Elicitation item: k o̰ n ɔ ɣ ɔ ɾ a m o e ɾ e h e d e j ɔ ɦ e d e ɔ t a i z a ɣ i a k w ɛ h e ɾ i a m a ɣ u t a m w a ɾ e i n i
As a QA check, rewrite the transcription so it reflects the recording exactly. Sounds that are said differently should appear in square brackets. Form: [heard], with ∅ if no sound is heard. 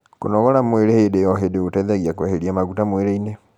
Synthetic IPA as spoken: k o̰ n ɔ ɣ ɔ ɾ a m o e ɾ e h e d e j ɔ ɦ e d e [o] t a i [ð] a ɣ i a k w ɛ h e ɾ i a m a ɣ u t a m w [e] ɾ e i n [e]